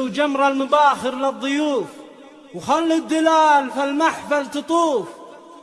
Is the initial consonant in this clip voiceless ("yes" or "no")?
no